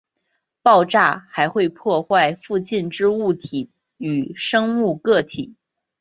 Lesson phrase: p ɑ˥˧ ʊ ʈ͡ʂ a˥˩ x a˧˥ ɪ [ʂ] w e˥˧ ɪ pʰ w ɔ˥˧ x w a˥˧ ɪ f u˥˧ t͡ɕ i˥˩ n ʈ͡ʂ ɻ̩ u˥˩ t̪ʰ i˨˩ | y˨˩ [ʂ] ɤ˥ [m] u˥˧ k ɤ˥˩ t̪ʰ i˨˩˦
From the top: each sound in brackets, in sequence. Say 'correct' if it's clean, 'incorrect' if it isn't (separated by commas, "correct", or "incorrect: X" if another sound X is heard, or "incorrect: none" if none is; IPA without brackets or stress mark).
incorrect: x, correct, incorrect: ŋ